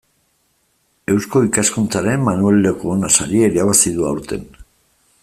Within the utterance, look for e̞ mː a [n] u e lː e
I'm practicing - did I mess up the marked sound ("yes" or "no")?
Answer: no